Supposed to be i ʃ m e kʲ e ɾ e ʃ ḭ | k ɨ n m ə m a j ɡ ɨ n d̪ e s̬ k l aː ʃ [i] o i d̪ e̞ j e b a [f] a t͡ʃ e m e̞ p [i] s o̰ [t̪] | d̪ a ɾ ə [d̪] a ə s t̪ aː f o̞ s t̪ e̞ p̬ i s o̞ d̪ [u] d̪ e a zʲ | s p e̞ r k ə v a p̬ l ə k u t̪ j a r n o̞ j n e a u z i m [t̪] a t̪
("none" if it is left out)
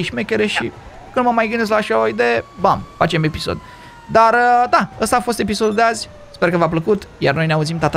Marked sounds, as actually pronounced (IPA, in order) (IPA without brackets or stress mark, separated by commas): a, f, i, d̪, d̪, u, t̪